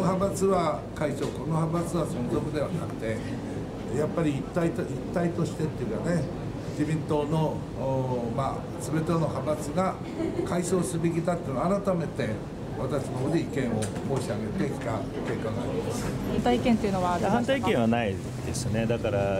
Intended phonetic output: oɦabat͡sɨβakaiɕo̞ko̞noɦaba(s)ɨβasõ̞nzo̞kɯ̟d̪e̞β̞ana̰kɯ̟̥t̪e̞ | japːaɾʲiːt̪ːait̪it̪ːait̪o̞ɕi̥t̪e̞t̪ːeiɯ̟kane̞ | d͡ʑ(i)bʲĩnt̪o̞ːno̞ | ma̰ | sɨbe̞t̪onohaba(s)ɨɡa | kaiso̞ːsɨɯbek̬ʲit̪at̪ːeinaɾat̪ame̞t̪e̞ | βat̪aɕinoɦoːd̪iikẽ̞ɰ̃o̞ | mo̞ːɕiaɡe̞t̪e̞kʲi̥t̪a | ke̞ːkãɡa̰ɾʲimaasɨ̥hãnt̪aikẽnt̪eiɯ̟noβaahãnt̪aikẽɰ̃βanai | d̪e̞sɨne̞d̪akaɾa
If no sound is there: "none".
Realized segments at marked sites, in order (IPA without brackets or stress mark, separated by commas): t͡s, i, t͡s